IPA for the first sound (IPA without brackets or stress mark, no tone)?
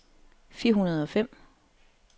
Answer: f